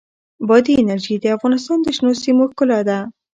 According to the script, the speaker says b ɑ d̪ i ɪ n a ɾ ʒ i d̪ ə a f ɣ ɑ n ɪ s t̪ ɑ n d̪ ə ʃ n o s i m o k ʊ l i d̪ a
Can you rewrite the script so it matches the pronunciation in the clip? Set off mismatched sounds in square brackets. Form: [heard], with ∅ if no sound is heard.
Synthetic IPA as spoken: b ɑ d̪ i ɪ n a ɾ ʒ i d̪ ə a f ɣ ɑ n ɪ s t̪ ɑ n d̪ ə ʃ n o s i m o k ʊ l [a] d̪ a